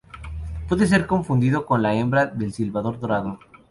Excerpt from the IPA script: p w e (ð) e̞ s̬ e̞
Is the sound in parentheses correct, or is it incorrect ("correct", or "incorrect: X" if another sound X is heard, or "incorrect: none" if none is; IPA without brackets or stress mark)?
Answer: correct